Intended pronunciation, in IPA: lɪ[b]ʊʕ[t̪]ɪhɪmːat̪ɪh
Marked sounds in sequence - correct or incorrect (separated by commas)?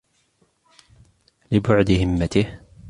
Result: correct, incorrect